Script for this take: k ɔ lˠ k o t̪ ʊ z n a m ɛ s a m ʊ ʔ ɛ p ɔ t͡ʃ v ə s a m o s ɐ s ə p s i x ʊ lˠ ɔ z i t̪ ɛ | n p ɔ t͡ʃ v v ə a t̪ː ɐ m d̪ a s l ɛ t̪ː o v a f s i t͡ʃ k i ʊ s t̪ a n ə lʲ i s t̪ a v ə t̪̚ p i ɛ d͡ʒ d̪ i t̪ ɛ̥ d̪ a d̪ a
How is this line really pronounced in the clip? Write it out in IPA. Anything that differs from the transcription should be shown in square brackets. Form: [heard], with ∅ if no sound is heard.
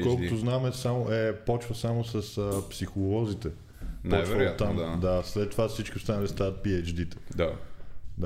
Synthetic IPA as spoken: k ɔ lˠ k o t̪ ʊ z n a m ɛ s a m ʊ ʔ ɛ p ɔ t͡ʃ v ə s a m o s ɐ s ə p s i x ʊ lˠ ɔ z i t̪ ɛ | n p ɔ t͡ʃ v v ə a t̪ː [a] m d̪ a s l ɛ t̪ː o v a f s i t͡ʃ k i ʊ s t̪ a n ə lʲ i s t̪ a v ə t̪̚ p i ɛ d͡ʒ d̪ i t̪ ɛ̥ d̪ a d̪ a